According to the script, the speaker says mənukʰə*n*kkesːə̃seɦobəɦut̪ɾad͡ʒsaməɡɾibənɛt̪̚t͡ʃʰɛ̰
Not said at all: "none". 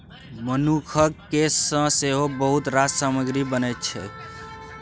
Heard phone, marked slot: none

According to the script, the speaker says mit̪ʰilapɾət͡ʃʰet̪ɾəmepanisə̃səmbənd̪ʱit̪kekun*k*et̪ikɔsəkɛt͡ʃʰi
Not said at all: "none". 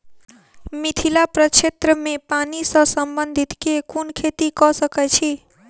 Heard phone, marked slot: kʰ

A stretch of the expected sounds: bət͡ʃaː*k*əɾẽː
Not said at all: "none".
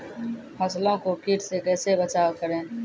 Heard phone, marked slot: k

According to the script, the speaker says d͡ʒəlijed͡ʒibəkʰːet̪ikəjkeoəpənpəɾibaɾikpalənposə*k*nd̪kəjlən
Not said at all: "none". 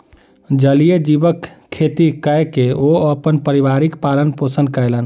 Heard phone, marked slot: none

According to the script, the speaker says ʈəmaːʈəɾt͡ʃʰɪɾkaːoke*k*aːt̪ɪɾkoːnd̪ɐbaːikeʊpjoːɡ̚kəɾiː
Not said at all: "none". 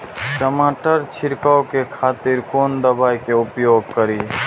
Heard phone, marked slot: kʰ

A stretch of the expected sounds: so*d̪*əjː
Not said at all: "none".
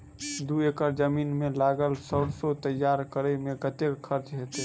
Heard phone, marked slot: t̪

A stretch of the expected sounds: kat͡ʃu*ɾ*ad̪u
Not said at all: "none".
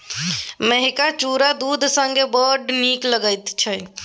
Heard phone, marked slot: ɾ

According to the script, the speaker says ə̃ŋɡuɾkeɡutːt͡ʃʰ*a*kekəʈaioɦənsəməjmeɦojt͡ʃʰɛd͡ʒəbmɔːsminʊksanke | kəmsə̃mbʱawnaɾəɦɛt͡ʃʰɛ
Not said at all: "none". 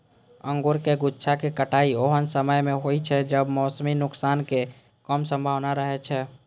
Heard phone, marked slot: a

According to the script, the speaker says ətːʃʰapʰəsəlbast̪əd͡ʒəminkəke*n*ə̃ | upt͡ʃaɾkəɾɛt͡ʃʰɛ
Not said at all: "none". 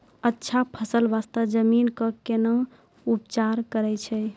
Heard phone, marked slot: n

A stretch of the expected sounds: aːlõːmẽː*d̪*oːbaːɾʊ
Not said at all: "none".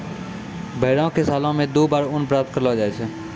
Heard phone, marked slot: d̪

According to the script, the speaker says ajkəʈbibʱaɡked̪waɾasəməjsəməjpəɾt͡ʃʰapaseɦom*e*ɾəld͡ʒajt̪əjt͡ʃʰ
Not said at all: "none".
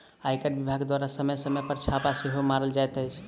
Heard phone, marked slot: a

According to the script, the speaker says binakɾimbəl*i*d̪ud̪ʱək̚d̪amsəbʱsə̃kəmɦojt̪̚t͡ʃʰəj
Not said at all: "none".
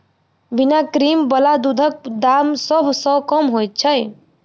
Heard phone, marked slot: a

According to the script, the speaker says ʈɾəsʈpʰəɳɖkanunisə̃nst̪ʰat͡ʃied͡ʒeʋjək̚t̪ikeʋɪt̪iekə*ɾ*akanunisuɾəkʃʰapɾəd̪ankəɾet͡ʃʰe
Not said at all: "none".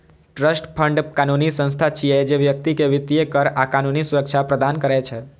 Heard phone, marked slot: ɾ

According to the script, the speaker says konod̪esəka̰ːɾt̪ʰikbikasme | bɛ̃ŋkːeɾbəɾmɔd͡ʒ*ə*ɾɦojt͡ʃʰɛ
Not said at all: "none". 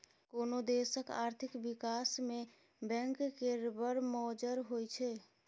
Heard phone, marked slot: ə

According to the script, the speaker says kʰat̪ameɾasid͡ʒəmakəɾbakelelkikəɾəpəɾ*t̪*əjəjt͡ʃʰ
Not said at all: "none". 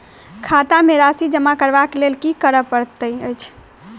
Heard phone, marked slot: t̪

